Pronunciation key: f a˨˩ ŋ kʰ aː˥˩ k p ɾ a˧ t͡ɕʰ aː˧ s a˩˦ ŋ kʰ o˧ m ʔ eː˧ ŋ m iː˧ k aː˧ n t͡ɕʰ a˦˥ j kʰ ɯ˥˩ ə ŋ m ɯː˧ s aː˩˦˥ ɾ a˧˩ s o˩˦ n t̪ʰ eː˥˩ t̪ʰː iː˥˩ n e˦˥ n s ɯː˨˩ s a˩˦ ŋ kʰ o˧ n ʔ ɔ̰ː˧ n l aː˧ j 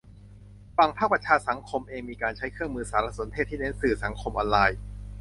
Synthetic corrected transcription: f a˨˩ ŋ pʰ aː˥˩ k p ɾ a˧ t͡ɕʰ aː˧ s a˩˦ ŋ kʰ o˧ m ʔ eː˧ ŋ m iː˧ k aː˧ n t͡ɕʰ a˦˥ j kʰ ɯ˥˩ ə ŋ m ɯː˧ s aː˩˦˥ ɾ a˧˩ s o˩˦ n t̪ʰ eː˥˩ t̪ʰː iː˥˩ n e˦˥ n s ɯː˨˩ s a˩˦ ŋ kʰ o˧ m ʔ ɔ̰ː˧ n l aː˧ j